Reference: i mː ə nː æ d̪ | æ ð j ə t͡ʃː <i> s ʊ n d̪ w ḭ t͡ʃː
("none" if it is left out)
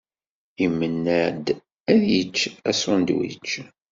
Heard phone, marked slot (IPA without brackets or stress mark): æ